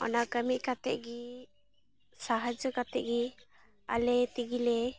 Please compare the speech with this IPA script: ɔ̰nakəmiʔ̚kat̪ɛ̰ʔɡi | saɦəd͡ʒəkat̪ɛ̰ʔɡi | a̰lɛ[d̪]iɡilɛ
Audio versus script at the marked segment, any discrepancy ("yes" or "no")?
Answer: yes